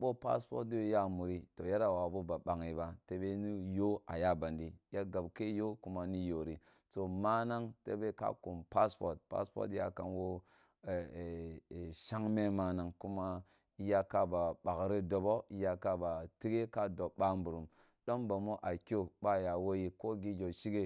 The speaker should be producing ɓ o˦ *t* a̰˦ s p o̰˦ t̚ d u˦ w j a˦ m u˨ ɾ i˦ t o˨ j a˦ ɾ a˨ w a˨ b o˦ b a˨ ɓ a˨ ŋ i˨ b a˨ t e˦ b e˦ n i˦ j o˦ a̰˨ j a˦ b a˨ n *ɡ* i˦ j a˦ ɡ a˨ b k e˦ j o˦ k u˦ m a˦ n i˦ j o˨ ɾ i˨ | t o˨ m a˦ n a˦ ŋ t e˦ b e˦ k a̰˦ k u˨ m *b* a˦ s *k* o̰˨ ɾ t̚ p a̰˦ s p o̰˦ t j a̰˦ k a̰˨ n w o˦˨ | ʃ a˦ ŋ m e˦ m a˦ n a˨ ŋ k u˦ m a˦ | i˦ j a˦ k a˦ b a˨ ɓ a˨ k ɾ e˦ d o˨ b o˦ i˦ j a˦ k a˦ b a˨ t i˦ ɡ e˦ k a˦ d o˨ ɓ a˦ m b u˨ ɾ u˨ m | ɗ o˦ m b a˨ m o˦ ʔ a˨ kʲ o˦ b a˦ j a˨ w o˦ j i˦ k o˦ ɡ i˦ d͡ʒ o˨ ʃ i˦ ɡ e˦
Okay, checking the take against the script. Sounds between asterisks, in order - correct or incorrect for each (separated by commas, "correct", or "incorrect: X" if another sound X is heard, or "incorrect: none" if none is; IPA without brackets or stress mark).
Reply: incorrect: p, incorrect: d, incorrect: p, incorrect: p